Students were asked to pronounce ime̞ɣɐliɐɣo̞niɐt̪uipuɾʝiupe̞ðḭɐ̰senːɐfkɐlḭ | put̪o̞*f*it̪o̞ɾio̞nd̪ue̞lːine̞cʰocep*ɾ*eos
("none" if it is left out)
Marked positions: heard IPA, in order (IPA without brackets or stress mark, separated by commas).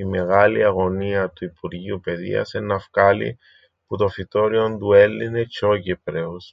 f, ɾ